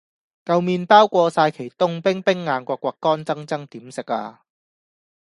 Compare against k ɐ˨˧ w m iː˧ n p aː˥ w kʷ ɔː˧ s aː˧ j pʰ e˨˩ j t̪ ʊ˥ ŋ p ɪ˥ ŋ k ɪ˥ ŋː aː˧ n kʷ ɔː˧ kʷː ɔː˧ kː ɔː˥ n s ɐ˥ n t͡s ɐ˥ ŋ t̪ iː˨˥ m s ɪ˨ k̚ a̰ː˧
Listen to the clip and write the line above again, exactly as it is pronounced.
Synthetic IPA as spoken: k ɐ˨˧ w m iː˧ n p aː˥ w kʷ ɔː˧ s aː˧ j kʰ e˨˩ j t̪ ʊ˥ ŋ p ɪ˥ ŋ p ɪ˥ ŋː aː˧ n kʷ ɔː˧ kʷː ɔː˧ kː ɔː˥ n t͡s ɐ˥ ŋ t͡s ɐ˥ ŋ t̪ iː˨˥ m s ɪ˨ k̚ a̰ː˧